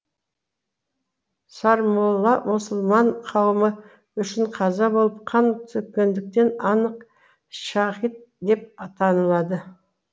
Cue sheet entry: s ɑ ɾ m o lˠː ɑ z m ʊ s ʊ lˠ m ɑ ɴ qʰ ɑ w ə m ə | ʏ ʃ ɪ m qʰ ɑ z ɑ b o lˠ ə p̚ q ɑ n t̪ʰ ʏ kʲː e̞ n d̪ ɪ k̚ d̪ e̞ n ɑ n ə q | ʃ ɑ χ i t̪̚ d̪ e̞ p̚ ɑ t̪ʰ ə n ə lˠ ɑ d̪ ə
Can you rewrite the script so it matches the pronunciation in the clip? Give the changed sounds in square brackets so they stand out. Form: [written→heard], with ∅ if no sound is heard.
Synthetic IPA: s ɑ ɾ m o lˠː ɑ [z→∅] m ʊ s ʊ lˠ m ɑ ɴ qʰ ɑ w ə m ə | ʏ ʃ ɪ [m→ɴ] qʰ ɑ z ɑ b o lˠ ə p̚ [q→qʰ] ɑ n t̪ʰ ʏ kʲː e̞ n d̪ ɪ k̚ [d̪→t̪] e̞ n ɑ n ə q | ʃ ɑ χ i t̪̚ d̪ e̞ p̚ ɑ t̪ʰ [ə→ɑ] n ə lˠ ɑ d̪ ə